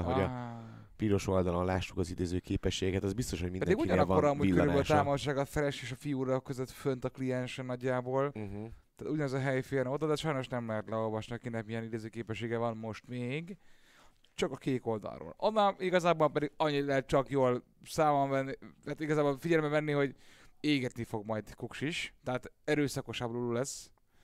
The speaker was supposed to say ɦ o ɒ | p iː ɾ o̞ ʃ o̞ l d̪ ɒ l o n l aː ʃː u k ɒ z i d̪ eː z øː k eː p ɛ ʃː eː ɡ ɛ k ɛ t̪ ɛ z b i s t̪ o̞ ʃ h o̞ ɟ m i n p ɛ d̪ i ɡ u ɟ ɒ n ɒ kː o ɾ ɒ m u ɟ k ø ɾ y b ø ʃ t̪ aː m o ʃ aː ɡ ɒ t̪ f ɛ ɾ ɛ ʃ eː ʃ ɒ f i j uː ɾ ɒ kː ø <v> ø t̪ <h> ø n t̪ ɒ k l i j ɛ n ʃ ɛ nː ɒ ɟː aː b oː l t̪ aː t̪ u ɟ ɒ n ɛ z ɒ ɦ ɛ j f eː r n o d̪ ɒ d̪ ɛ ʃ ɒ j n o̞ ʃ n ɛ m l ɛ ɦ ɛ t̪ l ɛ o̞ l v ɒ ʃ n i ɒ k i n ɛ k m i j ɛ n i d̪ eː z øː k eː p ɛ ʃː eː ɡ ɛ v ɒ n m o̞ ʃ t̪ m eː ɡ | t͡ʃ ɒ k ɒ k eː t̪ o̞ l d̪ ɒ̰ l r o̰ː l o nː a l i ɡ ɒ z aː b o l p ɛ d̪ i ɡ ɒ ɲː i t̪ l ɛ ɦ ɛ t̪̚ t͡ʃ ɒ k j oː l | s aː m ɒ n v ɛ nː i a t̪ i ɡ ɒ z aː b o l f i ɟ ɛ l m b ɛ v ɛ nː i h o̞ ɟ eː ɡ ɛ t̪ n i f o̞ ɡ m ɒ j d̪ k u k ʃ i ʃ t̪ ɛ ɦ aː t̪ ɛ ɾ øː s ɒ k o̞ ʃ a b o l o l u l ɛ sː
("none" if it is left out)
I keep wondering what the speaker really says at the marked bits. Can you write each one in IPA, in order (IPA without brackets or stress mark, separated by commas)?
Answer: z, f